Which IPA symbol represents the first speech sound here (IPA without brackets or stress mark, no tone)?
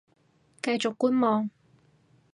k